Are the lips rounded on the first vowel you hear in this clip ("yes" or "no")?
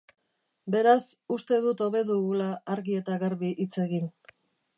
no